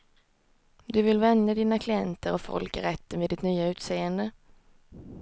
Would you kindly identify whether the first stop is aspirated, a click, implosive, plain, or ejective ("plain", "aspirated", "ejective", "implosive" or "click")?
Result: plain